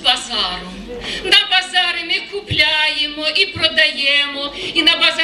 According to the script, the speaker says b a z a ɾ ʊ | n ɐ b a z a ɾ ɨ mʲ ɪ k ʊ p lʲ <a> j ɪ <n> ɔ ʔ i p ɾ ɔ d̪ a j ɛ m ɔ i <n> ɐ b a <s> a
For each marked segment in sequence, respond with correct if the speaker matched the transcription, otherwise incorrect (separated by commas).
correct, incorrect, correct, incorrect